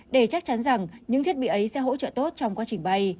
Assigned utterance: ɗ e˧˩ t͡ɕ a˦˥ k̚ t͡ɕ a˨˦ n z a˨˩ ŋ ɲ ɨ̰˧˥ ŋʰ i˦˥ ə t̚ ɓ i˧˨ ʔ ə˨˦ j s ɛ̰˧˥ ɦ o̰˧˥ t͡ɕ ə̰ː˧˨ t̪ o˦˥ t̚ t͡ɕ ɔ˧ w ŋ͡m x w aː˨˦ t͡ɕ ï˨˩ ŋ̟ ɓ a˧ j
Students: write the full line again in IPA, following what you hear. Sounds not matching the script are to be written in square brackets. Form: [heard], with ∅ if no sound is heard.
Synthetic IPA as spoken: ɗ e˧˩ t͡ɕ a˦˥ k̚ t͡ɕ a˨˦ n z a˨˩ ŋ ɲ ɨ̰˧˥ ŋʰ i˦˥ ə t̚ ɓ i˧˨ ʔ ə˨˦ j s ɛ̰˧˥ ɦ o̰˧˥ t͡ɕ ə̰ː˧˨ t̪ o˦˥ t̚ t͡ɕ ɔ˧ w ŋ͡m [k] w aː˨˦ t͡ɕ ï˨˩ ŋ̟ ɓ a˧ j